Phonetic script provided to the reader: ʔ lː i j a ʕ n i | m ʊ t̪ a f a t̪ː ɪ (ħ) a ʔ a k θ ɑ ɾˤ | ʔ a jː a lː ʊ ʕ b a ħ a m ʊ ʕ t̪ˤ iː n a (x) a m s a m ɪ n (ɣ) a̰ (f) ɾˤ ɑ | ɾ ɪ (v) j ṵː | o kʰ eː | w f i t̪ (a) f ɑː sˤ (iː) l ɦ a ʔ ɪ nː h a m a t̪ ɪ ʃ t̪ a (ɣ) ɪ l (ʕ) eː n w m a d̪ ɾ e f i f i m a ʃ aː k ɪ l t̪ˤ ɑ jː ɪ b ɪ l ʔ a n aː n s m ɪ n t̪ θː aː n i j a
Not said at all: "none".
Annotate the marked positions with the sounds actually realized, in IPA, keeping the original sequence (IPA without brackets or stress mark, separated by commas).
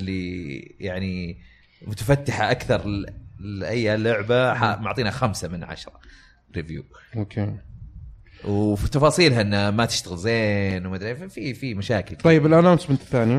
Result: ħ, x, ʕ, ʃ, v, ɑ, iː, ɣ, z